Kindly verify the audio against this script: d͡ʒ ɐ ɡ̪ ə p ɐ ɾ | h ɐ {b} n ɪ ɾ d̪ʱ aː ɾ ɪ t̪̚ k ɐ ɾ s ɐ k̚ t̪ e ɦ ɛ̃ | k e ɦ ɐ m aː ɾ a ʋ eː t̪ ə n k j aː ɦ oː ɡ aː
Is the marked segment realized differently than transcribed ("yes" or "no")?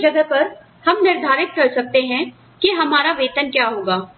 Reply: yes